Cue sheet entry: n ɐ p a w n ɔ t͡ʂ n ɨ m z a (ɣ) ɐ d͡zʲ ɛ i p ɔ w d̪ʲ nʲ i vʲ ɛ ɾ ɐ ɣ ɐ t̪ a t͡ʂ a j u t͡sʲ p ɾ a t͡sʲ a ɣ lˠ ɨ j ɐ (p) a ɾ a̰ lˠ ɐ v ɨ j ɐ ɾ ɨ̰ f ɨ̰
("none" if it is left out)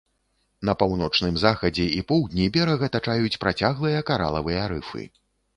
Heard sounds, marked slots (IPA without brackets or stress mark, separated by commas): x, k